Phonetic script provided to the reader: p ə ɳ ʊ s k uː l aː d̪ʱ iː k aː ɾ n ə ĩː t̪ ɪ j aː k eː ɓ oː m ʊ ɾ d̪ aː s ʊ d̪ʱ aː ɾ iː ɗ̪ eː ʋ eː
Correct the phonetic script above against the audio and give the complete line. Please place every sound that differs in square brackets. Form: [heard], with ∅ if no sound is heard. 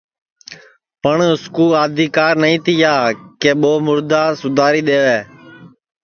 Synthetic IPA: p ə ɳ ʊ s k uː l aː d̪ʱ iː k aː ɾ n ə ĩː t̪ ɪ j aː k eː ɓ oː m ʊ ɾ d̪ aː s ʊ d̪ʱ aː ɾ iː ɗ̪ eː ʋ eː